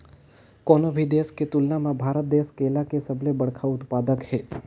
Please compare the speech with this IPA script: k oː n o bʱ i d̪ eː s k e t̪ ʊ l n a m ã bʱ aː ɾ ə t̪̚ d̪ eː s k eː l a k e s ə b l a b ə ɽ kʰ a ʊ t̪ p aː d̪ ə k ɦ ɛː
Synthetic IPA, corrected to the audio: k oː n o bʱ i d̪ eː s k e t̪ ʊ l n a m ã bʱ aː ɾ ə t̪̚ d̪ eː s k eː l a k e s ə b l e b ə ɽ kʰ a ʊ t̪ p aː d̪ ə k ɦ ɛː